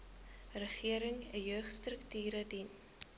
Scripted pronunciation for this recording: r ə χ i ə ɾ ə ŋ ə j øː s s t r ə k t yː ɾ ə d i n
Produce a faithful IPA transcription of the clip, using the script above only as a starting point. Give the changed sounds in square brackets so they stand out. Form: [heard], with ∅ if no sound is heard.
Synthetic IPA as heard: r ə χ i ə ɾ ə ŋ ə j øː [χ] s t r ə k t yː ɾ ə d i n